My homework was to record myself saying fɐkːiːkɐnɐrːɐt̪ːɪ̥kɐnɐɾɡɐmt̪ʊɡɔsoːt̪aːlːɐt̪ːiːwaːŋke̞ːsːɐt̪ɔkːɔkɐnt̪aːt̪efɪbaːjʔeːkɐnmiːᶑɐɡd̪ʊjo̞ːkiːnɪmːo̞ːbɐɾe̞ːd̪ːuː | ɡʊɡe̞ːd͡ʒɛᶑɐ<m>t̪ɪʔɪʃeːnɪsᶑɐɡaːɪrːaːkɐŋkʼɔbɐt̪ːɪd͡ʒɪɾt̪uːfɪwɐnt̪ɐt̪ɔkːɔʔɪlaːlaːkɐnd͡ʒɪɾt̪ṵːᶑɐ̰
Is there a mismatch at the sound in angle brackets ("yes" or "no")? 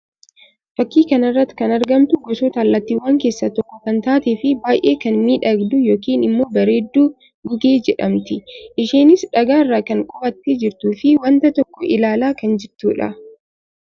no